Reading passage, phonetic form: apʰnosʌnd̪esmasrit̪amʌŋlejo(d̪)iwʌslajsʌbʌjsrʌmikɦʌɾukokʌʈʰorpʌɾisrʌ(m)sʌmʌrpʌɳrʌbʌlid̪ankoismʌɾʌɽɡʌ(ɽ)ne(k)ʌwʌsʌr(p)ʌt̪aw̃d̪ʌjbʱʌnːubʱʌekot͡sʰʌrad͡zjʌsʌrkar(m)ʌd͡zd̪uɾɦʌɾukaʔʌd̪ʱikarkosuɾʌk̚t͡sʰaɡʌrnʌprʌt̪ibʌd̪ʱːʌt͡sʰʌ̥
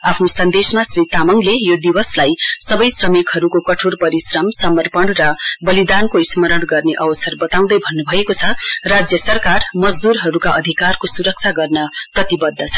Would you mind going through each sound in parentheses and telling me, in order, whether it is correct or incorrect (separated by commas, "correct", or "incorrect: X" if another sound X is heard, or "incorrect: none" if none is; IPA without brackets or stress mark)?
correct, correct, incorrect: r, incorrect: ʔ, incorrect: b, correct